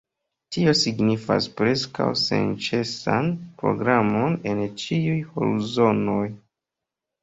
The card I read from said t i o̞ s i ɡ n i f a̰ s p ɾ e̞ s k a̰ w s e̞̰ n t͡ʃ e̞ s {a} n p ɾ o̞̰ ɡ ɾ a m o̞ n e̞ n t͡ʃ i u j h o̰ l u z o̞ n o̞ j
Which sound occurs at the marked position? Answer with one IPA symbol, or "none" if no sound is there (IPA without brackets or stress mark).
a